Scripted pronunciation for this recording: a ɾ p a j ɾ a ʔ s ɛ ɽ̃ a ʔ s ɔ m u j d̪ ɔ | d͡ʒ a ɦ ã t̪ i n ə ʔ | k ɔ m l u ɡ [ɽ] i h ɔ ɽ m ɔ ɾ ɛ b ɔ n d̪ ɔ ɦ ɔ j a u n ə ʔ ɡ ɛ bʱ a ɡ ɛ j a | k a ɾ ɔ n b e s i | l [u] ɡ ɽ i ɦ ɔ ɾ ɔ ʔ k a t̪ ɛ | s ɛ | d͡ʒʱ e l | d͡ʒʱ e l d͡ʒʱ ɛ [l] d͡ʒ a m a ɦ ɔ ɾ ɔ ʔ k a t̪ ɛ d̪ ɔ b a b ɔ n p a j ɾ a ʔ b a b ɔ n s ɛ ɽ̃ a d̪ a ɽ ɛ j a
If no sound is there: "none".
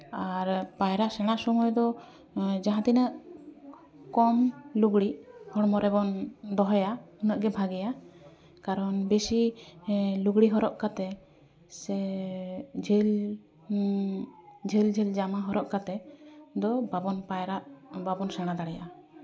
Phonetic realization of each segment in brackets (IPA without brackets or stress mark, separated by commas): ɽ, u, l